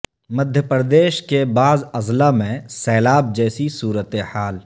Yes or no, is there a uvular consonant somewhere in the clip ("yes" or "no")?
no